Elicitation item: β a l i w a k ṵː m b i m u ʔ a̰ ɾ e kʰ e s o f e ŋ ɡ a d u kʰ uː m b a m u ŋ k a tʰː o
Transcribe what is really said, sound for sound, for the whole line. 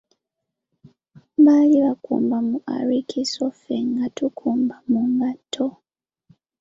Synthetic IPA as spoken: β a l i β a k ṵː m b a m u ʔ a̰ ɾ i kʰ i s o f e ŋ ɡ a t u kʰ uː m b a m u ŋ ɡ a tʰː o

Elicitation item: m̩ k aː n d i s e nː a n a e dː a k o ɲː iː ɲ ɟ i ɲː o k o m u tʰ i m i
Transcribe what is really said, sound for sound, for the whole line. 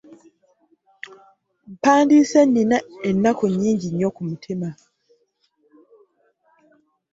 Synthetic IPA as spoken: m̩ p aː n d i s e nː i n a e nː a k o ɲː iː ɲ ɟ i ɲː o k u m u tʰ i m a

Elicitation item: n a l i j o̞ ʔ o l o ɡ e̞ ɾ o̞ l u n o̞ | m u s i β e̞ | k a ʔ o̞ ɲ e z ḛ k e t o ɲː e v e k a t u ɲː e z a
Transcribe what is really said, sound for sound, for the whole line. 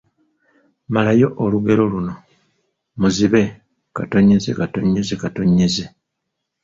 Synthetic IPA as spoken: m a l a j o̞ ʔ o l u ɡ e̞ ɾ o̞ l u n o̞ | m u z i β e̞ | k a t o̞ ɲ e z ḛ k a t o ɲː e z e k a t o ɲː e z e

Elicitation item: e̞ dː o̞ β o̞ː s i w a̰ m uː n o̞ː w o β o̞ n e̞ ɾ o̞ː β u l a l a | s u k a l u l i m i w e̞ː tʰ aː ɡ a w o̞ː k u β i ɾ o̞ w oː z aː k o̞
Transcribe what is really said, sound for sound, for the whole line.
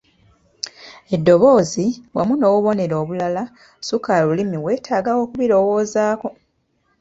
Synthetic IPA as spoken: e̞ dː o̞ β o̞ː z i w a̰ m u n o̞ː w u β o̞ n e̞ ɾ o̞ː β u l a l a | s u k a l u l i m i w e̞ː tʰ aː ɡ a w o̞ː k u β i ɾ o̞ w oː z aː k o̞

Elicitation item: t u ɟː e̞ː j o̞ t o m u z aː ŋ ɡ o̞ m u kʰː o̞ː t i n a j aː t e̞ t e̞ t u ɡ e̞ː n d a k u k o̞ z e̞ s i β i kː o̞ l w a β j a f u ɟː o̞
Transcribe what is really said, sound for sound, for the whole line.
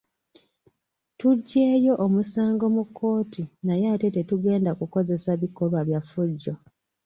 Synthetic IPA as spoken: t u ɟː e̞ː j o̞ ʔ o m u s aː ŋ ɡ o̞ m u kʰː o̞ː t i n a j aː t e̞ t e̞ t u ɡ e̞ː n d a k u k o̞ z e̞ s a β i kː o̞ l w a β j a f u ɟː o̞

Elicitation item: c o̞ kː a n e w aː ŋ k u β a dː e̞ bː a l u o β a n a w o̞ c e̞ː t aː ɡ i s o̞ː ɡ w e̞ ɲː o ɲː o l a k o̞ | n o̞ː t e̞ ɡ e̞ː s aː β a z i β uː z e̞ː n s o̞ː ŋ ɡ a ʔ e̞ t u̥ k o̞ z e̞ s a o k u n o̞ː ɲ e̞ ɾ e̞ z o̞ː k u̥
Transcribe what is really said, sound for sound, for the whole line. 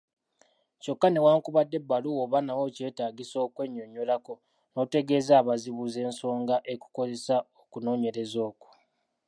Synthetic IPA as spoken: c o̞ kː a n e w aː ŋ k u β a dː e̞ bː a l u o β a n a w o̞ c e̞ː t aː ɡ i s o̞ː k w e̞ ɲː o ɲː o l a k o̞ | n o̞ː t e̞ ɡ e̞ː z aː β a z i β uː z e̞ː n s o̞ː ŋ ɡ a ʔ e̞ k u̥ k o̞ z e̞ s a o k u n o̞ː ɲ e̞ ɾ e̞ z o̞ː k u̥

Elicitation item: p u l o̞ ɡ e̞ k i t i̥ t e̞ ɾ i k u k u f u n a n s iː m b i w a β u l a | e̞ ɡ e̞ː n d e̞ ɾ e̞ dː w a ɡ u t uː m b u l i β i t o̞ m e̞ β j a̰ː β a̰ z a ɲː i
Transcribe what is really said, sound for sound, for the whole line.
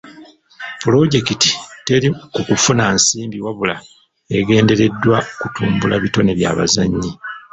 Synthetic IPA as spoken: p u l o̞ ɟ e̞ k i t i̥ t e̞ ɾ i k u k u f u n a n s iː m b i w a β u l a | e̞ ɡ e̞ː n d e̞ ɾ e̞ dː w a k u t uː m b u l a β i t o̞ n e̞ β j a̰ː β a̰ z a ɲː i

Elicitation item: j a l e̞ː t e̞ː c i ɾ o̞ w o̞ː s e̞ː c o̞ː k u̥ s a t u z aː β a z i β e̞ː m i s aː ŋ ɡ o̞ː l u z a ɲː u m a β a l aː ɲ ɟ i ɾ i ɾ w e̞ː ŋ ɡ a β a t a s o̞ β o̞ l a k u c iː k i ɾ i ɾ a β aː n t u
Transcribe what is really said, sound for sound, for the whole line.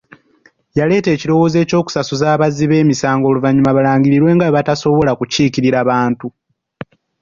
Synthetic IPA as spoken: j a l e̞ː t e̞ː c i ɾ o̞ w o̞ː z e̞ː c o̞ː k u̥ s a s u z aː β a z i β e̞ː m i s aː ŋ ɡ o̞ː l u v a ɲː u m a β a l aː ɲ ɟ i ɾ i ɾ w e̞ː ŋ ɡ a β a t a s o̞ β o̞ l a k u c iː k i ɾ i ɾ a β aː n t u

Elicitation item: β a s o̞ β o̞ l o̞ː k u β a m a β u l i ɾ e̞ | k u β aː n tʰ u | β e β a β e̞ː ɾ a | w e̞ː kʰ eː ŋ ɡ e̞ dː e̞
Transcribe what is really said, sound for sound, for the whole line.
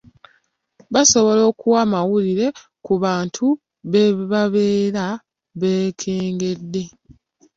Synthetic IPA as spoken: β a s o̞ β o̞ l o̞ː k u w a m a w u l i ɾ e̞ | k u β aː n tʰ u | β e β a β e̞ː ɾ a | β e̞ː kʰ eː ŋ ɡ e̞ dː e̞

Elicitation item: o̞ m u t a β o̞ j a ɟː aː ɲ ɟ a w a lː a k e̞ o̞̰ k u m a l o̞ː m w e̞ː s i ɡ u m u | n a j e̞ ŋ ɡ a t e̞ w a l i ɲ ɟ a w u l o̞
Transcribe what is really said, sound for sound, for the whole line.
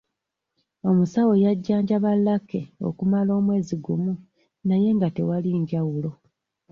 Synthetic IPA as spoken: o̞ m u s a w o̞ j a ɟː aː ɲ ɟ a β a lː a k e̞ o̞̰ k u m a l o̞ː m w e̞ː z i ɡ u m u | n a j e̞ ŋ ɡ a t e̞ w a l i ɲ ɟ a w u l o̞

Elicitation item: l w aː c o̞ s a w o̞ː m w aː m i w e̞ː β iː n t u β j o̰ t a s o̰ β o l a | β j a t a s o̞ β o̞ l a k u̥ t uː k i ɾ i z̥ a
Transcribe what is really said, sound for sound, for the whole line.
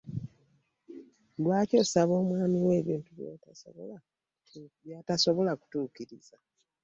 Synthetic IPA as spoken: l w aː c o̞ s a β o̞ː m w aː m i w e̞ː β iː n t u β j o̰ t a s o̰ β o l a | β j a t a s o̞ β o̞ l a k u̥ t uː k i ɾ i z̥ a

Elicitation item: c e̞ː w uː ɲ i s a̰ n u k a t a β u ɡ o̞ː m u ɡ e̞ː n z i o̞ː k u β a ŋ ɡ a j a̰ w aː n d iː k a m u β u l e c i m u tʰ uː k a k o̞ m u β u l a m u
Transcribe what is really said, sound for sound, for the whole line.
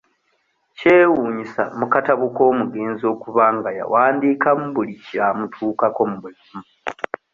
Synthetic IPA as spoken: c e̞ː w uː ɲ i s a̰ m u k a t a β u k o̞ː m u ɡ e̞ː n z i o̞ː k u β a ŋ ɡ a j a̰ w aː n d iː k a m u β u l i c a m u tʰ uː k a k o̞ m u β u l a m u

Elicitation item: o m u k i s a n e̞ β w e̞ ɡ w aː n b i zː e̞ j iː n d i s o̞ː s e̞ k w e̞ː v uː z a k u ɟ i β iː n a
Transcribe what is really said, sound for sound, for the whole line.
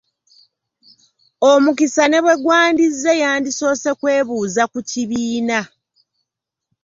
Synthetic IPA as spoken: o m u k i s a n e̞ β w e̞ ɡ w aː n d i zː e̞ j aː n d i s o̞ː s e̞ k w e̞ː β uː z a k u c i β iː n a

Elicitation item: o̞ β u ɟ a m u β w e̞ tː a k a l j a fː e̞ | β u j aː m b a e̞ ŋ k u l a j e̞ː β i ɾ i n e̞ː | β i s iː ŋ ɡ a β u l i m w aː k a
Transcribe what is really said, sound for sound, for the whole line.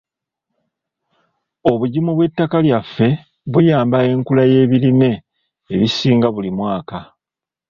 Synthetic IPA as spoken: o̞ β u ɟ i m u β w e̞ tː a k a l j a fː e̞ | β u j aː m b a e̞ ŋ k u l a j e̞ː β i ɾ i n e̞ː | β i s iː ŋ ɡ a β u l i m w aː k a

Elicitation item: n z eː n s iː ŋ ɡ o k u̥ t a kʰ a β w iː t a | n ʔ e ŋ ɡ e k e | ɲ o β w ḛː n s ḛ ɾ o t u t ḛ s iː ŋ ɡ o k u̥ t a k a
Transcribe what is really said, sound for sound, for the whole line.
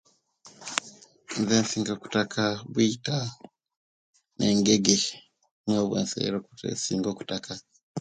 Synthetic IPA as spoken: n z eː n s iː ŋ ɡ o k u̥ t a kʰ a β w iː t a | n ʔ e ŋ ɡ e ɡ e | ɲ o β w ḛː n s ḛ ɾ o k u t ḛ s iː ŋ ɡ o k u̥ t a k a

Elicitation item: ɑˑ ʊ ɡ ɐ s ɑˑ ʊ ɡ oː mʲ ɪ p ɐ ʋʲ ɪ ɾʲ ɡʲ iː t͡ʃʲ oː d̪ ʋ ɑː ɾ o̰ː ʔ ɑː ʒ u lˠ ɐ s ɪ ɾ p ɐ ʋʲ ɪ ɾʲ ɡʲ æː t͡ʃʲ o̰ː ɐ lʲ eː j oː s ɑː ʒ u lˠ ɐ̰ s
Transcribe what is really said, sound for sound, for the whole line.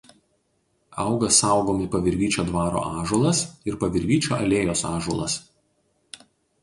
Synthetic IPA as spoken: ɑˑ ʊ ɡ ɐ s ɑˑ ʊ ɡ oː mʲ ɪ p ɐ ʋʲ ɪ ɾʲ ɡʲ iː t͡ʃʲ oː d̪ ʋ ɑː ɾ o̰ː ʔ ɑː ʒ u lˠ ɐ s ɪ ɾ p ɐ ʋʲ ɪ ɾʲ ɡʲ iː t͡ʃʲ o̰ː ɐ lʲ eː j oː s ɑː ʒ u lˠ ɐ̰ s

